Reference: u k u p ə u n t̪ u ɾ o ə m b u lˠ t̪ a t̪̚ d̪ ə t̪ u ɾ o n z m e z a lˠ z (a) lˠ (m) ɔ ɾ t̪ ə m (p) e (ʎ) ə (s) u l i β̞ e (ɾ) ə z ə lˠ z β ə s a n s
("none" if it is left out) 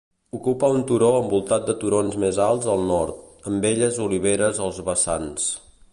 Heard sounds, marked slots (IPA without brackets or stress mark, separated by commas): ə, n, b, ʎ, z, ɾ